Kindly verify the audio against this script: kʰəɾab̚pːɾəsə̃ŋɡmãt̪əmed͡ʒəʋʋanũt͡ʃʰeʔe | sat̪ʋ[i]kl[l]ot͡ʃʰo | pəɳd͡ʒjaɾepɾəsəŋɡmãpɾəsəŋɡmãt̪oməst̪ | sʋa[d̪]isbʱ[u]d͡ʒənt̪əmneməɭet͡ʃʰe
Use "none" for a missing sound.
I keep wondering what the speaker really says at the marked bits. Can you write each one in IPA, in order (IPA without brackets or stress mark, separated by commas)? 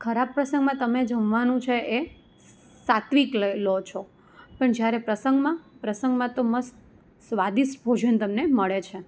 i, l, d̪, o